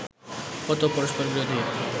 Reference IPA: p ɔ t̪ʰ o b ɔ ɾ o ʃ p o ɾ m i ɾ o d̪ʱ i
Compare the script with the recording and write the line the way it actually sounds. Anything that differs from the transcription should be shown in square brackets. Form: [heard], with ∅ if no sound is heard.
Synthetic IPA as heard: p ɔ [t̪] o [p] ɔ ɾ o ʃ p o ɾ [b] i ɾ o d̪ʱ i